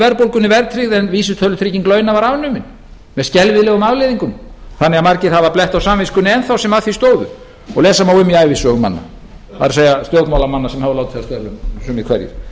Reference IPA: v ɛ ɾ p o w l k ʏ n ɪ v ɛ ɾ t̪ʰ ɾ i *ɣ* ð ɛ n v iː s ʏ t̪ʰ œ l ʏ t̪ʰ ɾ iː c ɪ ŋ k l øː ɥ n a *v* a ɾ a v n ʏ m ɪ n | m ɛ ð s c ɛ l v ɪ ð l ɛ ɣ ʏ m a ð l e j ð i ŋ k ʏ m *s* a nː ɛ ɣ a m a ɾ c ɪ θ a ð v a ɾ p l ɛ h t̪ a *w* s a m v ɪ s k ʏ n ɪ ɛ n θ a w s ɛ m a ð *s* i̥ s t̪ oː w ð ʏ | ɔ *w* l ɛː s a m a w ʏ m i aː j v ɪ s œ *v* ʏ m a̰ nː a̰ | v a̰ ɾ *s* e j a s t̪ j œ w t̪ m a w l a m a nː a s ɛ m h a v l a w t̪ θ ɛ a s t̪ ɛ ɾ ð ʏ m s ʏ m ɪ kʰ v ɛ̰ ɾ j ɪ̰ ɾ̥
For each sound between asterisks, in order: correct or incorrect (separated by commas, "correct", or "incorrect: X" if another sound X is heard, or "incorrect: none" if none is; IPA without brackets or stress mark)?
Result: correct, correct, incorrect: θ, correct, incorrect: θ, incorrect: ɣ, incorrect: ɣ, correct